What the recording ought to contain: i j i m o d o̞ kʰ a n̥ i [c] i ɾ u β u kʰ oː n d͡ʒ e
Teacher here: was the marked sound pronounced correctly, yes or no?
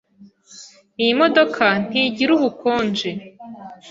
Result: no